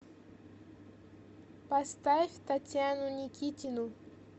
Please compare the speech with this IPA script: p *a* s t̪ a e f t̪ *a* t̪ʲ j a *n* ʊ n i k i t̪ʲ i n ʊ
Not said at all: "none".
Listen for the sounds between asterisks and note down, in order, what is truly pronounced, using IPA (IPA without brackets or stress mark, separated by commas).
a, a, n